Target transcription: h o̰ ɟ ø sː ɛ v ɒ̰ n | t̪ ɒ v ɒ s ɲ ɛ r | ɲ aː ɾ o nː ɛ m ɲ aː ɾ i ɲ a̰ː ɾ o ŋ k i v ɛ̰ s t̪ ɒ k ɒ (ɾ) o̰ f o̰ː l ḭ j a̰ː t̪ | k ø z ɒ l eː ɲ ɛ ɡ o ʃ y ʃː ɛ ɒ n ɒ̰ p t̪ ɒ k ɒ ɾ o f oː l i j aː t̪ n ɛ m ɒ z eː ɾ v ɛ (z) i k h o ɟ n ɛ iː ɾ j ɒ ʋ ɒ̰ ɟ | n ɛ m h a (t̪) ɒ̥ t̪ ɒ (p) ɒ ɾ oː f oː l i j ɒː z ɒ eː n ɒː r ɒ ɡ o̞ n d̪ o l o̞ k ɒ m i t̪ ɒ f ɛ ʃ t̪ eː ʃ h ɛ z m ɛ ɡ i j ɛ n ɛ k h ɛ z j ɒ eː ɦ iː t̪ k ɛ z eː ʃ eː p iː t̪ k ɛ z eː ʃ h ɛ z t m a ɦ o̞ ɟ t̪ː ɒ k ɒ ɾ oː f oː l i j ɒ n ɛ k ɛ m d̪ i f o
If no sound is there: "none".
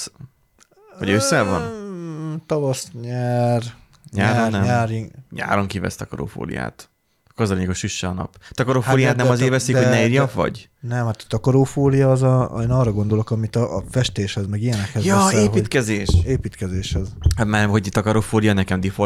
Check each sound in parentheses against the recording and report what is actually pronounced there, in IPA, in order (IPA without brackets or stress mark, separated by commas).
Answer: ɾ, s, t̪, k